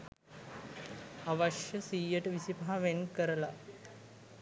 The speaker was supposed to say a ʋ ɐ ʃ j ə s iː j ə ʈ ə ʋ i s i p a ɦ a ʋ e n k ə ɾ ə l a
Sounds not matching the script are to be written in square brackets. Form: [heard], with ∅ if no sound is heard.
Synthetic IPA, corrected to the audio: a ʋ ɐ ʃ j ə s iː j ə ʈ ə ʋ i s i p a ɦ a ʋ e n k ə ɾ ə l a